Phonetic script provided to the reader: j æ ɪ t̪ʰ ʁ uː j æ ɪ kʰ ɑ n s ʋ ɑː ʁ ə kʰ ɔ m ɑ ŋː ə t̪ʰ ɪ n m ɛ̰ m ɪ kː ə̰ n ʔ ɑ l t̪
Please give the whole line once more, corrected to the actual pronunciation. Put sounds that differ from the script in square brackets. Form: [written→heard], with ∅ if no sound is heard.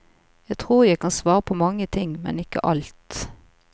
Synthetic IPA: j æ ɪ t̪ʰ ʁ uː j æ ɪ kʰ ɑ n s ʋ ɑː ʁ ə [kʰ→pʰ] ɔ m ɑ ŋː ə t̪ʰ ɪ [n→ŋ] m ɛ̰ [m→n] ɪ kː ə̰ [n→∅] ʔ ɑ l t̪